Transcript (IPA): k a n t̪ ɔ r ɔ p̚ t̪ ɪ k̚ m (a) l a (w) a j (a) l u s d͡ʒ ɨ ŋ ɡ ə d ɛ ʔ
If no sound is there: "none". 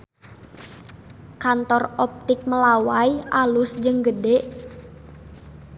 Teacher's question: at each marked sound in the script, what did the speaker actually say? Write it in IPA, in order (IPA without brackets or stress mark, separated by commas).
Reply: ə, w, a